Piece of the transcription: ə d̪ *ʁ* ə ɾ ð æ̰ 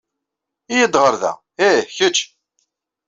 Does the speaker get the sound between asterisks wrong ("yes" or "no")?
no